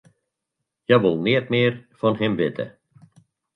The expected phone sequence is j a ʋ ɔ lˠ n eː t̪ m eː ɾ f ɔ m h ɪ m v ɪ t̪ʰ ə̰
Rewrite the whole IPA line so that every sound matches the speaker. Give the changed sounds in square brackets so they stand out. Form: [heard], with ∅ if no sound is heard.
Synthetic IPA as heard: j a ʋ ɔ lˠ n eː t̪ m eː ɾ f ɔ [n] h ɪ m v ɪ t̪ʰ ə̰